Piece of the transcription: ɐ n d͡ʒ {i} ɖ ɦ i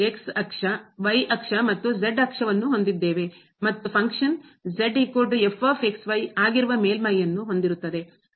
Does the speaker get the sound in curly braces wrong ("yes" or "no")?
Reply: yes